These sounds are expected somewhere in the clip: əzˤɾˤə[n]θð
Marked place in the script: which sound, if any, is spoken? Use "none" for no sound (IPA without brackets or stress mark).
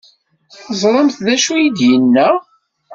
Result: m